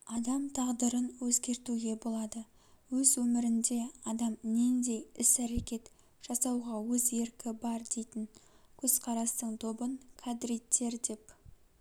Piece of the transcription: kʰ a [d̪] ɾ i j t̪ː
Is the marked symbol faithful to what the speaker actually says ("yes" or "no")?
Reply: yes